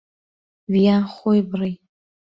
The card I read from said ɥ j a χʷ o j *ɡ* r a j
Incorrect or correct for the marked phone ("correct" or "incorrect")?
incorrect